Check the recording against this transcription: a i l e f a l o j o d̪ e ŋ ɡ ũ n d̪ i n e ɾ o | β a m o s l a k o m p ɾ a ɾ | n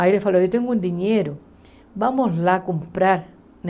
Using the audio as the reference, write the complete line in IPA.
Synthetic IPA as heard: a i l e f a l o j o t̪ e ŋ ɡ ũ n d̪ i ɲ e ɾ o | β a m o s l a k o m p ɾ a ɾ | n